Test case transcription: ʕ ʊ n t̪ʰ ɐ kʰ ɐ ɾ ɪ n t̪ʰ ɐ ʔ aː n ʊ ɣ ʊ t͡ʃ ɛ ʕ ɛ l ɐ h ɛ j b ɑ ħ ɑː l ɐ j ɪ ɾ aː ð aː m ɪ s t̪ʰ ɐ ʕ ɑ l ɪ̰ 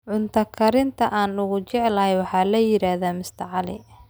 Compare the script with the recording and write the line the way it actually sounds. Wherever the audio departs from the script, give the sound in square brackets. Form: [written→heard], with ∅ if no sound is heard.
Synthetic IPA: ʕ ʊ n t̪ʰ ɐ kʰ ɐ ɾ ɪ n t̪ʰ ɐ ʔ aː n ʊ ɣ ʊ t͡ʃ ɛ ʕ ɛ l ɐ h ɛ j [b→w] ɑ ħ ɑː l ɐ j ɪ ɾ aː ð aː m ɪ s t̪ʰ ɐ ʕ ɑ l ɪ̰